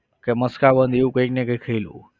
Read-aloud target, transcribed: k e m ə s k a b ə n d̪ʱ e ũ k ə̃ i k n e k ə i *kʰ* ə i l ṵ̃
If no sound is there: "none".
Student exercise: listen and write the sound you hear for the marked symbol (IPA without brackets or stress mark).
kʰ